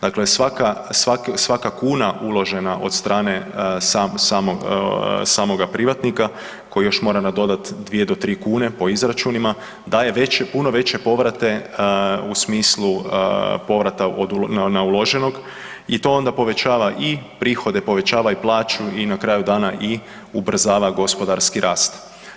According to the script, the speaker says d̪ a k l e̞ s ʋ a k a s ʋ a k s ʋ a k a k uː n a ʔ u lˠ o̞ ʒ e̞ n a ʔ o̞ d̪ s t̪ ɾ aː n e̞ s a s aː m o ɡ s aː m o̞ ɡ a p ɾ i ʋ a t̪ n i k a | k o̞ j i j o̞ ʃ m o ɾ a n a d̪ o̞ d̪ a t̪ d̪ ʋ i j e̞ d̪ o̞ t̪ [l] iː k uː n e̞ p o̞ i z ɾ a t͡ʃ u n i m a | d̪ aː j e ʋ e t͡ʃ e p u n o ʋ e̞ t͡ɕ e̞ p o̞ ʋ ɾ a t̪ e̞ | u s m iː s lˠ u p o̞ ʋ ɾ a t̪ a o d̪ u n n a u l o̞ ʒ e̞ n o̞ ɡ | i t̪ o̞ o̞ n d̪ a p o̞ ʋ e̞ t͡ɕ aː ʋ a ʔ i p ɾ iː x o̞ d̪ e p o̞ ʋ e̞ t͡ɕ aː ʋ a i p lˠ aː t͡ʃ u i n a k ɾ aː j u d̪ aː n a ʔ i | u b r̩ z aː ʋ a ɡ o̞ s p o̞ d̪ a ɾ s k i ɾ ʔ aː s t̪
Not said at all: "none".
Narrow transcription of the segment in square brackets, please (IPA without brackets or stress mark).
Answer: ɾ